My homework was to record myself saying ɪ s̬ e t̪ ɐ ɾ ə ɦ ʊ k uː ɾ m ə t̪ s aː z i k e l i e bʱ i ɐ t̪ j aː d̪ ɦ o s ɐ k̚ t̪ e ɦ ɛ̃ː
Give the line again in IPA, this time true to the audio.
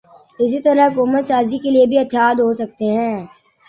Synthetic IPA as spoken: ɪ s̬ i t̪ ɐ ɾ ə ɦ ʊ k uː m ə t̪ s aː z i k e l i e bʱ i ɐ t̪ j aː d̪ ɦ o s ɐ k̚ t̪ e ɦ ɛ̃ː